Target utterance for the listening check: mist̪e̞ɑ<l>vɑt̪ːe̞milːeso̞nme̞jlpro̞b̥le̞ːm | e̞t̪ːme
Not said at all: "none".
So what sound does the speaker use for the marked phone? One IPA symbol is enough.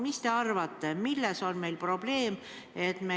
r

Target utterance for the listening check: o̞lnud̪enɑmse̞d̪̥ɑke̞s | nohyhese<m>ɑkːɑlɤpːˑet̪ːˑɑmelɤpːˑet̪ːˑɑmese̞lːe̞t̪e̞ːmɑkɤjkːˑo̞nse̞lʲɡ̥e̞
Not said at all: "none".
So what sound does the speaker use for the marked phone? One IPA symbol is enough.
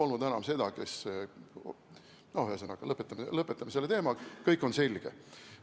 n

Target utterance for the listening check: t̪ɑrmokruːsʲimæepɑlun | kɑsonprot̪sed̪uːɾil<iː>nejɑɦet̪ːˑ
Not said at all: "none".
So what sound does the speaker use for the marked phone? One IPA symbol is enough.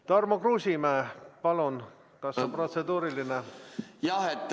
i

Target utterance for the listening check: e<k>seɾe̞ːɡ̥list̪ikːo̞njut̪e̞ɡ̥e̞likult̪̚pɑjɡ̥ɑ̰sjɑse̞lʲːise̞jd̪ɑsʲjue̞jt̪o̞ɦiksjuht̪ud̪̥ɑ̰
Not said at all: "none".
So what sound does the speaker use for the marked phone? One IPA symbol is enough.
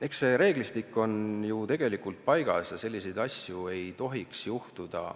k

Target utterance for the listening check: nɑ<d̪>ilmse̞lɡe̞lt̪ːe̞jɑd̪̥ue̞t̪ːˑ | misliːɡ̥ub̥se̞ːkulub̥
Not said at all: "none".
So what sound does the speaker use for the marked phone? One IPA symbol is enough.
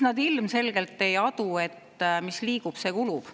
d̪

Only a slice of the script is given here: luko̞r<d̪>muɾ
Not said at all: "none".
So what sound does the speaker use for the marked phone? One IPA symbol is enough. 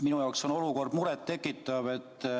d̪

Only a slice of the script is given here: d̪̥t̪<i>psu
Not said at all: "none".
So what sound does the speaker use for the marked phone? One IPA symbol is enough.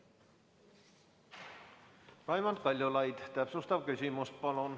æ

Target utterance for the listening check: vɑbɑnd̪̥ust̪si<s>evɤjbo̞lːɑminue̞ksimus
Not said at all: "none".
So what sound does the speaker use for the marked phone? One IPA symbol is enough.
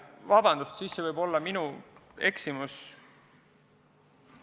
sː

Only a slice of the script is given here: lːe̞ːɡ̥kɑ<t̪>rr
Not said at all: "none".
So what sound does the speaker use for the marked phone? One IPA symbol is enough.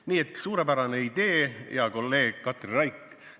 t̪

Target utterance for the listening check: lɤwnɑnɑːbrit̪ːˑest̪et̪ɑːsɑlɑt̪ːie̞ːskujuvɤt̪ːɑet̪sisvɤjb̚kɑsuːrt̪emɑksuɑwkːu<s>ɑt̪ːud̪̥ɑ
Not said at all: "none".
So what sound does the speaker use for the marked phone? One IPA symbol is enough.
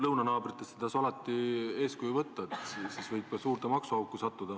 s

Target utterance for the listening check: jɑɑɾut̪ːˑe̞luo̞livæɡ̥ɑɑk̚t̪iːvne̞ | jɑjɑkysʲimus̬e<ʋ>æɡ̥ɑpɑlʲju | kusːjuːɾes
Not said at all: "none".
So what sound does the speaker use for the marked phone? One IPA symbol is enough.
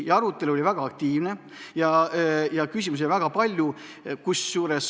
v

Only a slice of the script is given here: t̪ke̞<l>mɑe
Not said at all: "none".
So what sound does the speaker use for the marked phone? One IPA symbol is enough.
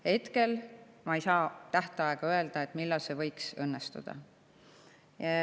l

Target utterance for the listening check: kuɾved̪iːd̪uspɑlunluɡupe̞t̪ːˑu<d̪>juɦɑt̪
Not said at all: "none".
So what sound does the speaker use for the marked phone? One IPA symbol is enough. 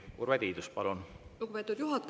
d̪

